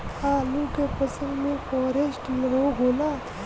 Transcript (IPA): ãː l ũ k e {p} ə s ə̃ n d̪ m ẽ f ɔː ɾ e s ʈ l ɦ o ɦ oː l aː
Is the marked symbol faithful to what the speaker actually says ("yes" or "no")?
yes